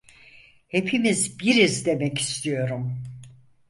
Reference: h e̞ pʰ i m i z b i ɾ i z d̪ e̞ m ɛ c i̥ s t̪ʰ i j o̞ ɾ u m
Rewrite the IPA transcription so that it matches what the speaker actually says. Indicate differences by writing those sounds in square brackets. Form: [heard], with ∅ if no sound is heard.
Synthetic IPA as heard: h e̞ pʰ i m i z b i ɾ i z d̪ e̞ m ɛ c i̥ s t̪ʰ i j o̞ ɾ u m